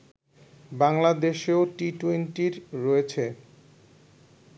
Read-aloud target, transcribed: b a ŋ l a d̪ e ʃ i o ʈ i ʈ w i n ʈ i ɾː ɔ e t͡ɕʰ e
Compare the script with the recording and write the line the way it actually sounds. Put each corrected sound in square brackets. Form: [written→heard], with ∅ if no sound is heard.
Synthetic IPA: b a ŋ l a d̪ e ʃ [i→e] o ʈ i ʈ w [i→e] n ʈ i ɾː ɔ e t͡ɕʰ e